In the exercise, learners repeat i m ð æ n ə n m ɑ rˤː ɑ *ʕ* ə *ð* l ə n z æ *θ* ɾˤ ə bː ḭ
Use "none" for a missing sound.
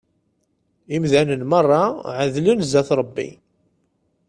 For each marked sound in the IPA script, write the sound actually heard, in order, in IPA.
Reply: ʕ, ð, θ

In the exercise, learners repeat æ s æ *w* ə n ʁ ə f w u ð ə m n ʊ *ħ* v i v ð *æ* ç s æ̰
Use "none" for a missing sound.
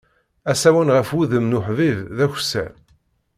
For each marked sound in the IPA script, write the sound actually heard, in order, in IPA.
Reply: w, ħ, æ

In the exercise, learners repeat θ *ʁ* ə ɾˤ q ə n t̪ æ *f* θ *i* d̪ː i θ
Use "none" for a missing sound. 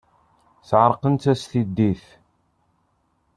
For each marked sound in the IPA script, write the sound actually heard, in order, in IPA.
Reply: ʕ, s, i

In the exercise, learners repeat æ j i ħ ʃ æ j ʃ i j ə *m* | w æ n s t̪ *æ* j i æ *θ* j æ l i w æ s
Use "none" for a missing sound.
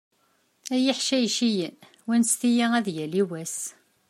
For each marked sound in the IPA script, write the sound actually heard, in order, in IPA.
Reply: n, i, ð

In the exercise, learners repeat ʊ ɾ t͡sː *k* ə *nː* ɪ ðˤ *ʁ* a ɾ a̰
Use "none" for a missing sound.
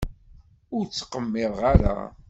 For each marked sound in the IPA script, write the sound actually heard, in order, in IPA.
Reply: q, mː, ʁ

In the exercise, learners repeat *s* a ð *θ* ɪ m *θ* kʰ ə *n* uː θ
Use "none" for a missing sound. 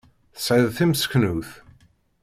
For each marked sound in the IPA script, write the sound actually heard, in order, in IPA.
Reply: s, θ, s, n

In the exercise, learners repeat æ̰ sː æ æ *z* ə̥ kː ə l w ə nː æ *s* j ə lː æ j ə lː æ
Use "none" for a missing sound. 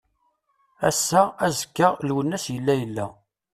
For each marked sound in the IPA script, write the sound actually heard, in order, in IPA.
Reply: z, s

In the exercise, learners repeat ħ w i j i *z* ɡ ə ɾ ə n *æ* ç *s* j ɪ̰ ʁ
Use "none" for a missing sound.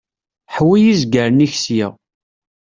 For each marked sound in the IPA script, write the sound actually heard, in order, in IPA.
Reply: z, i, s

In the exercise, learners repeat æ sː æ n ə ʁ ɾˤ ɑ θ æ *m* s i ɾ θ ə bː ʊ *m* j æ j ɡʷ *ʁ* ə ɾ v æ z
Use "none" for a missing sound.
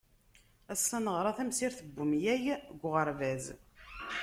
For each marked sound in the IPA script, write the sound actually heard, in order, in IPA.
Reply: m, m, ʁ

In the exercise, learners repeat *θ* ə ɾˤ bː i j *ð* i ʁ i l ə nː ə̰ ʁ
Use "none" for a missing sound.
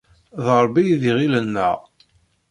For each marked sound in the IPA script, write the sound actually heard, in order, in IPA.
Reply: ð, ð

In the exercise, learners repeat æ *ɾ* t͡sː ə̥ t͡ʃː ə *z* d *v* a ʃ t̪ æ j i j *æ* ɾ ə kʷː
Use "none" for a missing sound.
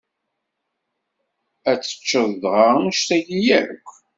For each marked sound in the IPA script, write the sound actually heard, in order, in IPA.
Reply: none, ð, ʁ, æ

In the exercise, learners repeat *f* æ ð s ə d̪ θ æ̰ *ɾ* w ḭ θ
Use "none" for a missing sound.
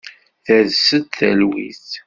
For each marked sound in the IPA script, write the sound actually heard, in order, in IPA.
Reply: θ, l

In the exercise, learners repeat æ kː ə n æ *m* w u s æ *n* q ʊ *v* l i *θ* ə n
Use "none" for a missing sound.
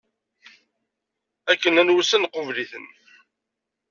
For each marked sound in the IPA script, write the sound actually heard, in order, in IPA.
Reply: n, n, v, θ

